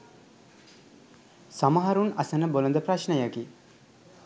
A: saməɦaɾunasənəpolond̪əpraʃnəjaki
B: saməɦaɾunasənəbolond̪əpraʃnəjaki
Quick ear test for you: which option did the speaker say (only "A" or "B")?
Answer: B